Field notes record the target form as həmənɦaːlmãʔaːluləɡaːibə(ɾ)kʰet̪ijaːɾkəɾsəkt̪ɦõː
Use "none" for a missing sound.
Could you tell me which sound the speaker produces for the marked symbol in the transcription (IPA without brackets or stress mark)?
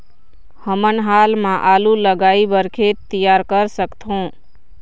ɾ